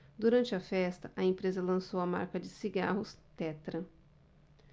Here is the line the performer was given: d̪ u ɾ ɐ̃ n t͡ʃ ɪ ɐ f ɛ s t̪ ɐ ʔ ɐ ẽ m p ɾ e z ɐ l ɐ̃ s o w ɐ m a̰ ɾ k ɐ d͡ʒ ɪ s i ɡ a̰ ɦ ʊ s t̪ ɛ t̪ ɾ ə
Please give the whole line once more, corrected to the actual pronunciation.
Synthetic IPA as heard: d̪ u ɾ ɐ̃ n t͡ʃ ɪ ɐ f ɛ s t̪ ɐ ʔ ɐ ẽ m p ɾ e z ɐ l ɐ̃ s o w ɐ m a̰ ɾ k ɐ d͡ʒ ɪ s i ɡ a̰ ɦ ʊ s t̪ ɛ t̪ ɾ ɐ